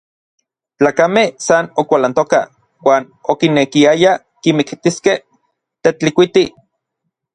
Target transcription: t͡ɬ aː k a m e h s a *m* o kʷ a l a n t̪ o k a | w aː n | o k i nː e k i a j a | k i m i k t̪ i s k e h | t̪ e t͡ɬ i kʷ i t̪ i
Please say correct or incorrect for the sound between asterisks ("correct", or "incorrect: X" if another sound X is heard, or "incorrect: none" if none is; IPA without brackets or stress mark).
incorrect: n